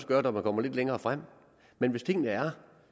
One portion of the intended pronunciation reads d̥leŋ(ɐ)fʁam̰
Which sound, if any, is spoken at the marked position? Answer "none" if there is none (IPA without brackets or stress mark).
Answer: ɐː